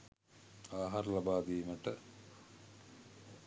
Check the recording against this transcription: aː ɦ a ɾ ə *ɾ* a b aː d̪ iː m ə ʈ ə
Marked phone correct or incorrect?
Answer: incorrect